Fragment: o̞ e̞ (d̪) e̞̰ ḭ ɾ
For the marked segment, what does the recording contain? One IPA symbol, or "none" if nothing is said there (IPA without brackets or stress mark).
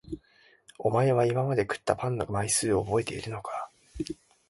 t̪